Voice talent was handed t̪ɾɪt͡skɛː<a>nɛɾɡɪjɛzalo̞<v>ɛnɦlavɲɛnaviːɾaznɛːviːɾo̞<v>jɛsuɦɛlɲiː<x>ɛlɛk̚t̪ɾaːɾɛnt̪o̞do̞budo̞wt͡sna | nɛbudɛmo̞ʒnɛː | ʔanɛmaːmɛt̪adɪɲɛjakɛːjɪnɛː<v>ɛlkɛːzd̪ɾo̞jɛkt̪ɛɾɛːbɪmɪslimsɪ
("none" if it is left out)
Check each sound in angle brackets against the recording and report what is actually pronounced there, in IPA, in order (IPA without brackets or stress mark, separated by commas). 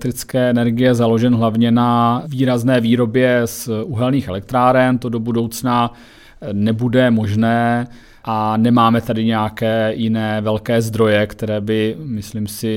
ɛ, ʒ, b, x, v